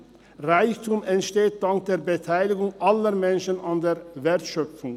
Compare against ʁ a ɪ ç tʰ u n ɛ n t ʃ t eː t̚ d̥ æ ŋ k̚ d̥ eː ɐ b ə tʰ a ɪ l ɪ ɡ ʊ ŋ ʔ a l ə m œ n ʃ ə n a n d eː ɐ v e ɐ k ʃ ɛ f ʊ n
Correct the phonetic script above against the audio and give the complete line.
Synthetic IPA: ʁ a ɪ ç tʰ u m ɛ n t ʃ t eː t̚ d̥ a ŋ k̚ d̥ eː ɐ b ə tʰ a ɪ l ɪ ɡ ʊ ŋ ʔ a l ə m ɛ n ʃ ə n a n d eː ɐ v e ɐ t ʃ œ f ʊ ŋ